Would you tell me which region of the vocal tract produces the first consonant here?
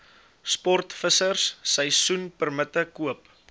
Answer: tongue tip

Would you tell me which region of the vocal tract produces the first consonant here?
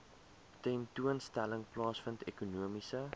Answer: tongue tip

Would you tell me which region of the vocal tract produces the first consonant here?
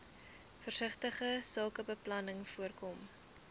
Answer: lips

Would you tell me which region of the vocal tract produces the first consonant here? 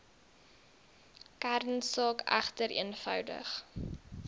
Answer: velum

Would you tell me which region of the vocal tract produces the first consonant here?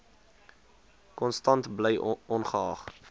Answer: velum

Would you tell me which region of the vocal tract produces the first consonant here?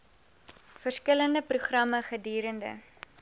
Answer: lips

